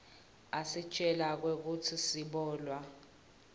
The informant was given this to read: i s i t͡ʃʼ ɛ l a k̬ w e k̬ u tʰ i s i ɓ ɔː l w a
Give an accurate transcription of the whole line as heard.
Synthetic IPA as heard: a s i t͡ʃʼ ɛ l a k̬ w e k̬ u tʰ i s i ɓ ɔː l w a